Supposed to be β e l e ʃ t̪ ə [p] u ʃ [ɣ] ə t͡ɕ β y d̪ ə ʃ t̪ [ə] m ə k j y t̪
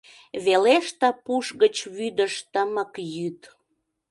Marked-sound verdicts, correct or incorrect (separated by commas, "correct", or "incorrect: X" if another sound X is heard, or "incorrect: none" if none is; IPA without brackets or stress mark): correct, correct, correct